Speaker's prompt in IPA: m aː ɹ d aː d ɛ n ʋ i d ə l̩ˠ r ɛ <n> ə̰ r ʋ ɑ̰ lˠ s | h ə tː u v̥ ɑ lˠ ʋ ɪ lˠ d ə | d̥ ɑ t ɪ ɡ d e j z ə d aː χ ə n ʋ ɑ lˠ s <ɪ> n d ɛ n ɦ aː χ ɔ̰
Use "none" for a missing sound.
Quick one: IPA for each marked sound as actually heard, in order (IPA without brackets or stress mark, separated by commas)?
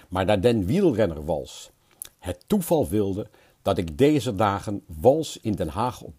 n, ɪ